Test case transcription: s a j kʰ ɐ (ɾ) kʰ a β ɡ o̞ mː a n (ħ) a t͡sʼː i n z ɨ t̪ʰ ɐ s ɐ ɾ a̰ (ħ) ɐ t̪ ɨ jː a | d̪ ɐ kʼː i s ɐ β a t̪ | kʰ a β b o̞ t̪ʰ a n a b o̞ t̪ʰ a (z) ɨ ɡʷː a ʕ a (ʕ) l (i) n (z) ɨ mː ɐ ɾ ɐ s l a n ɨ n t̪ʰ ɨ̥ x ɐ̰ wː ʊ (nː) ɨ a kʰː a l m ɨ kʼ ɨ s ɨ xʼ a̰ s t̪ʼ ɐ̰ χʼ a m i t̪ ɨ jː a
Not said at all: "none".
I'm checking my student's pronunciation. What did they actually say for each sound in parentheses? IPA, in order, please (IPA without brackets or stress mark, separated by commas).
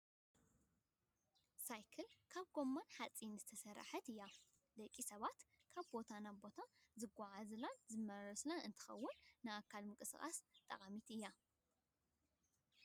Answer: l, ħ, ħ, z, z, a, z, nː